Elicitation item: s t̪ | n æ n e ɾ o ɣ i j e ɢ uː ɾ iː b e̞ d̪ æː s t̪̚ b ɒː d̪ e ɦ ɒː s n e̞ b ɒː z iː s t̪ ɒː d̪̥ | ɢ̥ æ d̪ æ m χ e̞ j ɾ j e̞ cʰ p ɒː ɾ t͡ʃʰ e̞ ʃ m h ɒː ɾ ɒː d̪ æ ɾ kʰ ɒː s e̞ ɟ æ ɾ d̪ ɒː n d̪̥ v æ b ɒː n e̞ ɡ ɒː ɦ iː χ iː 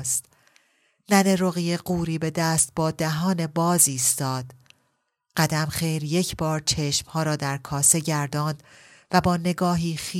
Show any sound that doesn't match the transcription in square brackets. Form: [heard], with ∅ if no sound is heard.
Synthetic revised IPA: s t̪ | n æ n e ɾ o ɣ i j e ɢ uː ɾ iː b e̞ d̪ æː s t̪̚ b ɒː d̪ [æ] ɦ ɒː [∅] n e̞ b ɒː z iː s t̪ ɒː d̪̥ | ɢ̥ æ d̪ æ m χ e̞ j ɾ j e̞ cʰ [b] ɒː ɾ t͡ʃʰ e̞ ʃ m h ɒː ɾ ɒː d̪ æ ɾ kʰ ɒː s e̞ ɟ æ ɾ d̪ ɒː n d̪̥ v æ b ɒː n e̞ ɡ ɒː ɦ iː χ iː